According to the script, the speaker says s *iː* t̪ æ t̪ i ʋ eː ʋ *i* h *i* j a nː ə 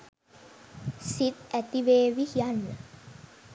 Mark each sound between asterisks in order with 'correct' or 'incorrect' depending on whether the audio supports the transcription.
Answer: incorrect, correct, correct

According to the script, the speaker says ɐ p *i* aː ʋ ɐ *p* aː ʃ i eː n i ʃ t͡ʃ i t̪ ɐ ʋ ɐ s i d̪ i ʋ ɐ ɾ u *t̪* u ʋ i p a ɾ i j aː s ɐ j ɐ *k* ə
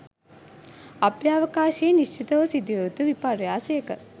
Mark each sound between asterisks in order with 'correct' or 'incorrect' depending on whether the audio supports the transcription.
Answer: incorrect, incorrect, correct, correct

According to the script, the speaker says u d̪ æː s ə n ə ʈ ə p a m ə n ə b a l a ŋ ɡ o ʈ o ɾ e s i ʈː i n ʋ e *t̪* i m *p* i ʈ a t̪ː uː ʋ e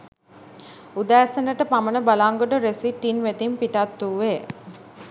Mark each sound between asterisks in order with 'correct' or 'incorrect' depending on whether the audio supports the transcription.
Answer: correct, correct

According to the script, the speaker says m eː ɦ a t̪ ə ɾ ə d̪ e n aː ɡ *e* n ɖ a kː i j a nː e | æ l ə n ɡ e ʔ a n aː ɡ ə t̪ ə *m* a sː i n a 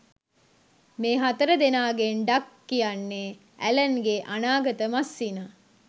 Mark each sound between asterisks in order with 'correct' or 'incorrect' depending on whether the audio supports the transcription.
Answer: correct, correct

